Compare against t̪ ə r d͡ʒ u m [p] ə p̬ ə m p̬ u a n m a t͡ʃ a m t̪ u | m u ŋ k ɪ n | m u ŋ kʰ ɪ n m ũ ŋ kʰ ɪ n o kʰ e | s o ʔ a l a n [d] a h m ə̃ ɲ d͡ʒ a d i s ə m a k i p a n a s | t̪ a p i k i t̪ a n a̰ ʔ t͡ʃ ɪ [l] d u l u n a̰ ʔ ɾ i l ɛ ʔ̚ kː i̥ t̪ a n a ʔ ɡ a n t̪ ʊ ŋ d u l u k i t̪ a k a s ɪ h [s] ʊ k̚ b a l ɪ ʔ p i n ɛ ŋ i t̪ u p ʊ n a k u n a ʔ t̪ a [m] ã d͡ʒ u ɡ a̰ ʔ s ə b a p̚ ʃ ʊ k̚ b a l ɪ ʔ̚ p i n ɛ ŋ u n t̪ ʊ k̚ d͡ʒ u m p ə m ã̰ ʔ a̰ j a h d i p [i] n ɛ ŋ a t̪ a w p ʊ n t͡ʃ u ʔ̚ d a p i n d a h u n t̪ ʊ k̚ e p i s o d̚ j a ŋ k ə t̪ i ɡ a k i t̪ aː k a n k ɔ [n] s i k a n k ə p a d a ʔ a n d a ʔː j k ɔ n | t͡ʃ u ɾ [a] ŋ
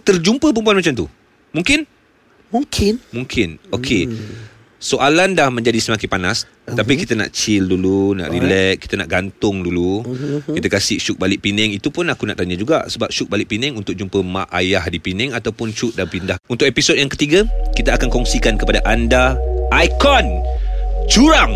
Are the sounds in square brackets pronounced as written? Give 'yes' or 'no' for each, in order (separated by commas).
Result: yes, yes, yes, no, no, yes, no, yes